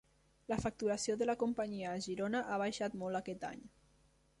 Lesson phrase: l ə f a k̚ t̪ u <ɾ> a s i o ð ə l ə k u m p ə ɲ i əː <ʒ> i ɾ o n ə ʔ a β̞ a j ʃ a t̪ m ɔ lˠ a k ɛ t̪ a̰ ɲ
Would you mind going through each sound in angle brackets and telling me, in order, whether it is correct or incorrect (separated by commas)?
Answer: correct, correct